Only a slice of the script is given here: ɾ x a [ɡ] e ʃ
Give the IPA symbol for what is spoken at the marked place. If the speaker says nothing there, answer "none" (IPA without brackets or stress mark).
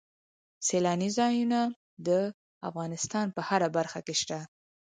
k